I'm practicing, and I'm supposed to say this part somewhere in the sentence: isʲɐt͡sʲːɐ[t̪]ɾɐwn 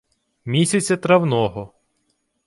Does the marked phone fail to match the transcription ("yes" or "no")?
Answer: no